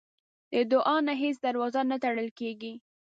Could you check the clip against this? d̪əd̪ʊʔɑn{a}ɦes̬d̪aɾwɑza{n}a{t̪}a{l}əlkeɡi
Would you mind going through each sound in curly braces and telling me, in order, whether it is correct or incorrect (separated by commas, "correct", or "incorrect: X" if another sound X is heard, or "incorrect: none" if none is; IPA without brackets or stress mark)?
correct, correct, correct, incorrect: ɽ